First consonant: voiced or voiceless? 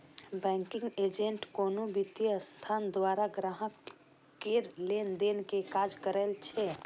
voiced